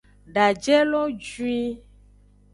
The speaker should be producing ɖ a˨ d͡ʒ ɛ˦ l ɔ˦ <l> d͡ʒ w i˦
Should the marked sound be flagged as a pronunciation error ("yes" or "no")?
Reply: yes